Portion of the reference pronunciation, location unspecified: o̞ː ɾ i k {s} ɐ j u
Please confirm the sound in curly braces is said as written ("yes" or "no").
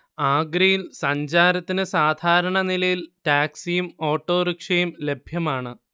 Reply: no